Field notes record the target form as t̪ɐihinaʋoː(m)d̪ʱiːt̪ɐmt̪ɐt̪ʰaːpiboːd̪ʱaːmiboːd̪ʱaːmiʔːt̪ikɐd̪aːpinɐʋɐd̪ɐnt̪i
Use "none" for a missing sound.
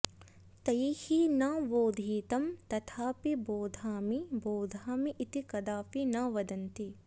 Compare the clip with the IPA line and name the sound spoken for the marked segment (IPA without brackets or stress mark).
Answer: none